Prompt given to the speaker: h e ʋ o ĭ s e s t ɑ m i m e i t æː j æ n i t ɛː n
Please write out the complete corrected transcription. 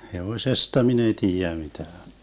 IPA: h e ʋ o ĭ s e s t ɑ m i n e i t iː j æ m i t æː n

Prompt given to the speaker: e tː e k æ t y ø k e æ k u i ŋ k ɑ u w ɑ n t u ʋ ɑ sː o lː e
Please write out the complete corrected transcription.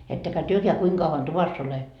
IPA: e tː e k æ t y ø k e æ k u i ŋ k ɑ u ʋ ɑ n t u ʋ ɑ sː o l e

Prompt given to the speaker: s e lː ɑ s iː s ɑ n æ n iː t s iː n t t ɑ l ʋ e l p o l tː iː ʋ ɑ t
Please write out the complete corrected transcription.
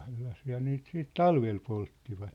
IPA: s e lː ɑ s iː h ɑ n e n iː t s iː t t ɑ l ʋ e l p o l tː i ʋ ɑ t

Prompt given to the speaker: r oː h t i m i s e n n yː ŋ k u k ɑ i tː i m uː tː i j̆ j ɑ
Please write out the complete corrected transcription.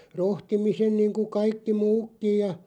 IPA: r o h t i m i s e n n iː ŋ k u k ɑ i kː i m uː kː i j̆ j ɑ

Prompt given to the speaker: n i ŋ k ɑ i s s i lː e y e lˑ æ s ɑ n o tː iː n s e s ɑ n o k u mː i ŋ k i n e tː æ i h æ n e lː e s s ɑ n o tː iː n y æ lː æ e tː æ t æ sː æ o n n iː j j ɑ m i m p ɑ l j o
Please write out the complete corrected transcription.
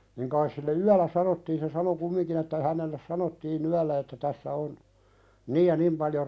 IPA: n i ŋ k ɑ i s s i lː e y æ lˑ æ s ɑ n o tː iː n s e s ɑ n o k u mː i ŋ k i n e tː æ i h æ n e lː e s s ɑ n o tː iː n y æ lː æ e tː æ t æ sː æ o n n iː j j ɑ n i m p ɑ l j o

